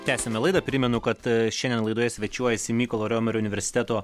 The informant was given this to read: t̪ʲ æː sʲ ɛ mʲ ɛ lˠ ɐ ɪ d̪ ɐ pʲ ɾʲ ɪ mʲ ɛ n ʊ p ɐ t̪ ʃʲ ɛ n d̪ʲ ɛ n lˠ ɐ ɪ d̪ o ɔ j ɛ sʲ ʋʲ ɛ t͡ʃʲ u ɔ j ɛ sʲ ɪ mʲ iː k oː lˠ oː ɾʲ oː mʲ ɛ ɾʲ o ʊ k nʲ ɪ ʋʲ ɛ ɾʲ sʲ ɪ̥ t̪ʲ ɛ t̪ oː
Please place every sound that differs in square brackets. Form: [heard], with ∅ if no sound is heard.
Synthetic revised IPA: t̪ʲ æː sʲ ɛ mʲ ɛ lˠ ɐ ɪ d̪ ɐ pʲ ɾʲ ɪ mʲ ɛ n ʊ [k] ɐ t̪ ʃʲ ɛ n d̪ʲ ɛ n lˠ ɐ ɪ d̪ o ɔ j ɛ sʲ ʋʲ ɛ t͡ʃʲ u ɔ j ɛ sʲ ɪ mʲ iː k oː lˠ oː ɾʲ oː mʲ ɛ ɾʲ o ʊ [∅] nʲ ɪ ʋʲ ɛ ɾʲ sʲ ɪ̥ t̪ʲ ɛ t̪ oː